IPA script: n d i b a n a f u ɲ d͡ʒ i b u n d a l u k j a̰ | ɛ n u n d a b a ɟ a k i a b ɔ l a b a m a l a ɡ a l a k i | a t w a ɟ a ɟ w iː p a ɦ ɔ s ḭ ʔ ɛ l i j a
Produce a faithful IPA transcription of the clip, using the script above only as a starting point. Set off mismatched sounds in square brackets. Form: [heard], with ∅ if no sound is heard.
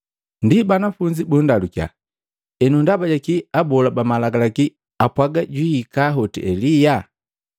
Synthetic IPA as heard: n d i b a n a f u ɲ d͡ʒ i b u n d a l u k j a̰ | ɛ n u n d a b a ɟ a k i a b ɔ l a b a m a l a ɡ a l a k i | a [p] w a [ɡ] a ɟ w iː [k] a ɦ ɔ [t] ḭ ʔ ɛ l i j a